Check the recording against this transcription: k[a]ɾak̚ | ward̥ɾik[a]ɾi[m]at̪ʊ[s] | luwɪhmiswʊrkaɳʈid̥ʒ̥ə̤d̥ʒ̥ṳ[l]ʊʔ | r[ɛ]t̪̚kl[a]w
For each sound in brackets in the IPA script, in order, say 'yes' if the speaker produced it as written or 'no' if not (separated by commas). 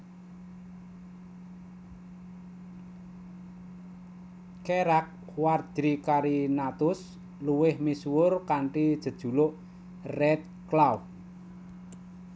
no, yes, no, yes, yes, yes, yes